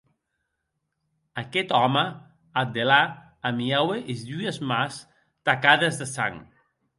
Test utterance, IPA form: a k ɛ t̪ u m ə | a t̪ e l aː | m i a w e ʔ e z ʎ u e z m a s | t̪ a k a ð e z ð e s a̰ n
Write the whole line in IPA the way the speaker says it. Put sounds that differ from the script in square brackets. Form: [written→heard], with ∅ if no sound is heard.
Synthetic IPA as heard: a k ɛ t̪ [u→ɔ] m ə | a [t̪→d̪] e l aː | m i a w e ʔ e z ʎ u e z m a s | t̪ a k a ð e z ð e s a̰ [n→ŋ]